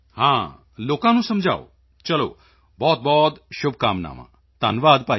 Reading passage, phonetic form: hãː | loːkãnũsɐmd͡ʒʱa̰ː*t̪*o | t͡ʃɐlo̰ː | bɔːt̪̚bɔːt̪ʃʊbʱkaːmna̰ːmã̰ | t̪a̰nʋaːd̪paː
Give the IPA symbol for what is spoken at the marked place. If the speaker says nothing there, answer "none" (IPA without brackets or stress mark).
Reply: none